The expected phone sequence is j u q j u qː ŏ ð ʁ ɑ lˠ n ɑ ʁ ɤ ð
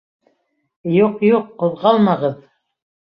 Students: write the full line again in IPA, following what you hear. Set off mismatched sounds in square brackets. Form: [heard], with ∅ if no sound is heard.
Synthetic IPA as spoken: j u q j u qː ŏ ð ʁ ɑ lˠ [m] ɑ ʁ ɤ ð